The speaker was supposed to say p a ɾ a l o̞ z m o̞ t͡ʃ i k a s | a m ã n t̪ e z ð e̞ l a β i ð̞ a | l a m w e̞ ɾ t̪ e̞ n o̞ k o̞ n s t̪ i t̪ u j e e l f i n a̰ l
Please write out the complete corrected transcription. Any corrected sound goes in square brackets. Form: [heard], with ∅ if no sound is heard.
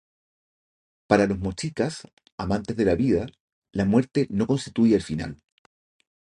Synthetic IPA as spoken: p a ɾ a l o̞ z m o̞ t͡ʃ i k a s | a m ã n t̪ e z ð e̞ l a β i ð̞ a | l a m w e̞ ɾ t̪ e̞ n o̞ k o̞ n s t̪ i t̪ u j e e l f i n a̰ l